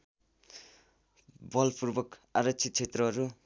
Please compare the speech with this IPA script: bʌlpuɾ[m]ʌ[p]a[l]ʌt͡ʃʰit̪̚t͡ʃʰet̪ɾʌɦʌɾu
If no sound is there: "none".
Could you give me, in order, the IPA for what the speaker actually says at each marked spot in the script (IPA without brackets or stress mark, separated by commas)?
b, k, ɾ